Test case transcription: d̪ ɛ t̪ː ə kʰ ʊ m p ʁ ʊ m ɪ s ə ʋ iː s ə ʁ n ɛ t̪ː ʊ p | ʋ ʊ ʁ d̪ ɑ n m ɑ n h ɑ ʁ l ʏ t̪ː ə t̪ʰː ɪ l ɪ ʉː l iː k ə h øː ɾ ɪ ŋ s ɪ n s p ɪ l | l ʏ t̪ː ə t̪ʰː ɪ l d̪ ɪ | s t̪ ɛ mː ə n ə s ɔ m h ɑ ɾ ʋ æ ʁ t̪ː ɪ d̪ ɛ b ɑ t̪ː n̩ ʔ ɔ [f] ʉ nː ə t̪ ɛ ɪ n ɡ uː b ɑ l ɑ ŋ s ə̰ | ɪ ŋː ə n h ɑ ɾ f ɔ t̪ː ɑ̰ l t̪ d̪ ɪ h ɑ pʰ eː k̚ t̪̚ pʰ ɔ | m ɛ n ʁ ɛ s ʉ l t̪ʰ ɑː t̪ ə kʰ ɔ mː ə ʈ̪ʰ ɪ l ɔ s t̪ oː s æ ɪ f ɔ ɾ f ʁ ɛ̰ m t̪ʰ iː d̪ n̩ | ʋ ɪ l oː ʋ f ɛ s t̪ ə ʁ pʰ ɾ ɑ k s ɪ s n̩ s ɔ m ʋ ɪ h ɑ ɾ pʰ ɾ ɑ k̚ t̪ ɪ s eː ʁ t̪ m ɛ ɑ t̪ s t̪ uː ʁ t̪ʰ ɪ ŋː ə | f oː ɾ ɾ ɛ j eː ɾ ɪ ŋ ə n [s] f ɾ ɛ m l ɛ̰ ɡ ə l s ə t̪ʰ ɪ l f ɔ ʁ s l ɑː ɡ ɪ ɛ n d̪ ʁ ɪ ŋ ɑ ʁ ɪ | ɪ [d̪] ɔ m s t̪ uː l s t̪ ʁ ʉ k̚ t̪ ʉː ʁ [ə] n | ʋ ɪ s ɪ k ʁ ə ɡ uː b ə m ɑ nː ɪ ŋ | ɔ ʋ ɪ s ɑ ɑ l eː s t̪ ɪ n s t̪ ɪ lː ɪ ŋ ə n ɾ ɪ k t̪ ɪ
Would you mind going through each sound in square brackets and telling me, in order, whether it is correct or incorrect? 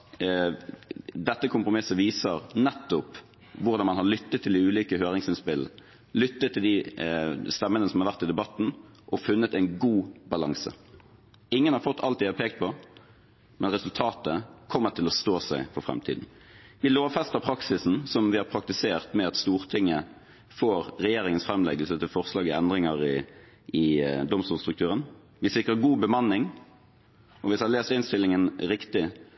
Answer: correct, correct, correct, correct

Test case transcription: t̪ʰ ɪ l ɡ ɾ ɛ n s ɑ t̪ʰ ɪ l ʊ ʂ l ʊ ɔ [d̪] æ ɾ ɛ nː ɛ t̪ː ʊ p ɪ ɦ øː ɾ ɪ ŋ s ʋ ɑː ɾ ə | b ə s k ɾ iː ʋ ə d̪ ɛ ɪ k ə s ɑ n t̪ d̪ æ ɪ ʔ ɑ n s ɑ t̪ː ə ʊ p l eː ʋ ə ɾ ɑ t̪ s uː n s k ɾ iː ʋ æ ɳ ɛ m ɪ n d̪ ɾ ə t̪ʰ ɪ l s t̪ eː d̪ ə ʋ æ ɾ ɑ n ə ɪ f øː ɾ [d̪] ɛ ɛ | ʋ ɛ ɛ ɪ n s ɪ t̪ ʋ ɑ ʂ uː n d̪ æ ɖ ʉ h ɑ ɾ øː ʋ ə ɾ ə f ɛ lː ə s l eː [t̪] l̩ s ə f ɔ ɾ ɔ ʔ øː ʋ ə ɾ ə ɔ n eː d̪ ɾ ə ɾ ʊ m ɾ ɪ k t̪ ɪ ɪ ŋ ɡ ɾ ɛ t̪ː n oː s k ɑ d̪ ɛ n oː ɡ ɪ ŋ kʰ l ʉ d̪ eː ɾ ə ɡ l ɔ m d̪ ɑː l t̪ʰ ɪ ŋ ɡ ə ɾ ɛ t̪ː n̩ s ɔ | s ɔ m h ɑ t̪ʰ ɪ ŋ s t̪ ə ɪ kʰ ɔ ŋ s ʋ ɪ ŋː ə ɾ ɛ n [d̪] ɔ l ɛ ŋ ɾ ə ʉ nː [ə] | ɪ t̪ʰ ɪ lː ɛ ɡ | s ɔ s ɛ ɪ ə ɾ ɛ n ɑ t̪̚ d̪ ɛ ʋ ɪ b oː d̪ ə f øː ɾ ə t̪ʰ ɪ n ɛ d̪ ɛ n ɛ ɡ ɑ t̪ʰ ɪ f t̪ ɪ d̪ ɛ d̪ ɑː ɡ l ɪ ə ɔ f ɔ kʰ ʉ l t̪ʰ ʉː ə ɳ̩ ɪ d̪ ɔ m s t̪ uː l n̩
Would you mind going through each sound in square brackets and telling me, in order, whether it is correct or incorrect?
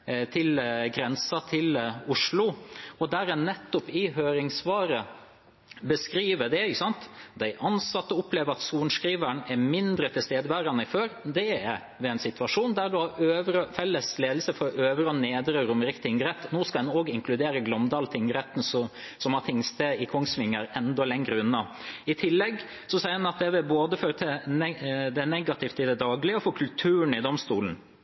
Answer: correct, correct, incorrect: d̪, correct, incorrect: ɑ

